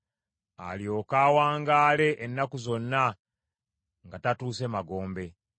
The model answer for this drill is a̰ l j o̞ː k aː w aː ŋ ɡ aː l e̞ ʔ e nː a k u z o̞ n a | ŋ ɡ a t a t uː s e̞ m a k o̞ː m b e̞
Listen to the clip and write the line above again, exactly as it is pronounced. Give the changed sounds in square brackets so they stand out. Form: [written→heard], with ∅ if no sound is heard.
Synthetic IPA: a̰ l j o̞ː k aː w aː ŋ ɡ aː l e̞ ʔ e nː a k u z o̞ [n→nː] a | ŋ ɡ a t a t uː s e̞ m a [k→ɡ] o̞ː m b e̞